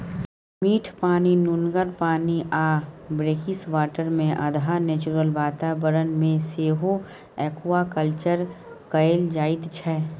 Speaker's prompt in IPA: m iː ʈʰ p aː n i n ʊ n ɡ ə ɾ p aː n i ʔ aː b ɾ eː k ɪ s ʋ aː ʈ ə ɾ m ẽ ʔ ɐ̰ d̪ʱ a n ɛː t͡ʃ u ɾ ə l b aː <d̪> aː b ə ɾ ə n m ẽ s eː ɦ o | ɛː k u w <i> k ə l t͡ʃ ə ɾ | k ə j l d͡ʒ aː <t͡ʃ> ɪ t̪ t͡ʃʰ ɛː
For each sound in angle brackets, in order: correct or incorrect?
incorrect: t̪, incorrect: a, incorrect: none

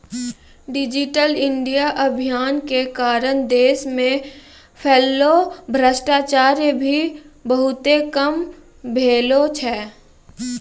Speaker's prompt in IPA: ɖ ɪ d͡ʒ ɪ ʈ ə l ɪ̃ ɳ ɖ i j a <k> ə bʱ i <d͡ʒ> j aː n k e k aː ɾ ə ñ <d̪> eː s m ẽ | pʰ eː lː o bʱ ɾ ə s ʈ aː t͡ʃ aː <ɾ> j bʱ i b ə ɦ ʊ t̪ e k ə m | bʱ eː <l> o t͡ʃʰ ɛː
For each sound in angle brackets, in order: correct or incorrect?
incorrect: ʔ, incorrect: none, correct, correct, correct

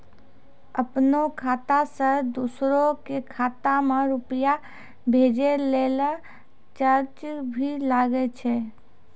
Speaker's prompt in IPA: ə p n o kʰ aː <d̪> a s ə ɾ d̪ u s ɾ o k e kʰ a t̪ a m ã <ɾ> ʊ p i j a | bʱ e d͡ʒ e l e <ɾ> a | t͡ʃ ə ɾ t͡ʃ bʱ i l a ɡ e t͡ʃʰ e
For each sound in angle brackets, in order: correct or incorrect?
incorrect: t̪, correct, incorrect: l

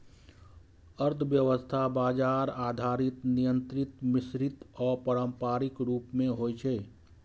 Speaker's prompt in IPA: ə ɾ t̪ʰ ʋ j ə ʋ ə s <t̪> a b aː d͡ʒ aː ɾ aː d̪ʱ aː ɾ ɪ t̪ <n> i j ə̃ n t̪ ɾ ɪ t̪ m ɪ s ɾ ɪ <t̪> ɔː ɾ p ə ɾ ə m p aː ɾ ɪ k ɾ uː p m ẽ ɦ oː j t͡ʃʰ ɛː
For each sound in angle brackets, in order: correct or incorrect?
incorrect: t̪ʰ, correct, correct

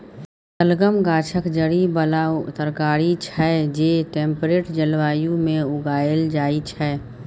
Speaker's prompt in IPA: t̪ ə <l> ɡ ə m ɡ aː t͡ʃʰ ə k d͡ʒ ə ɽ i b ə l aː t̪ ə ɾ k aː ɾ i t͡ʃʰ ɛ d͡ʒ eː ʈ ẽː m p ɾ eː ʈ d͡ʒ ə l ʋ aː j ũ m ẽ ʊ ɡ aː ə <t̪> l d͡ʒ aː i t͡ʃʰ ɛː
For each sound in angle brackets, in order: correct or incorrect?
correct, incorrect: none

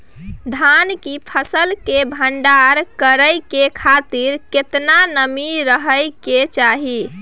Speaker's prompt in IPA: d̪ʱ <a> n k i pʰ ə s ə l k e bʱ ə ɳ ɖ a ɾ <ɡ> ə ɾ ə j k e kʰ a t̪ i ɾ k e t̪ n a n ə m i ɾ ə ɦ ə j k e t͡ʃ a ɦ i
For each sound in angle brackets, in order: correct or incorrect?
correct, incorrect: k

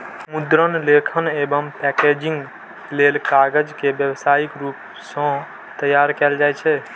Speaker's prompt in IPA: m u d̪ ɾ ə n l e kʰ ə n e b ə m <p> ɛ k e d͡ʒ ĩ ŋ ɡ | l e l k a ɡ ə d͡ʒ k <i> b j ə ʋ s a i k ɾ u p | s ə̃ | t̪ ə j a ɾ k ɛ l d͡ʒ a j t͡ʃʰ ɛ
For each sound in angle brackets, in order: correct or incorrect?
correct, incorrect: e

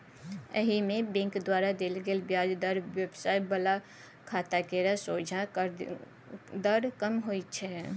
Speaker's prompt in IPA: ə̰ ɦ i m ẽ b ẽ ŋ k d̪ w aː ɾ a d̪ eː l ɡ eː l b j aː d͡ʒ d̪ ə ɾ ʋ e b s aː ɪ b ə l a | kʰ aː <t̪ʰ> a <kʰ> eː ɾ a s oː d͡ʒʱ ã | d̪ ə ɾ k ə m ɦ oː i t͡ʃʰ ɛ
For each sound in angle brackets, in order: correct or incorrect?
incorrect: t̪, incorrect: k

